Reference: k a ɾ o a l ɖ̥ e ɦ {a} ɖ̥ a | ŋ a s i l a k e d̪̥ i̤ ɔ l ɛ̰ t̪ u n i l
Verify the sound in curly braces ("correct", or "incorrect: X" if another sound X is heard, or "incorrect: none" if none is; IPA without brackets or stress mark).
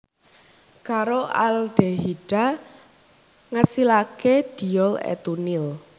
incorrect: i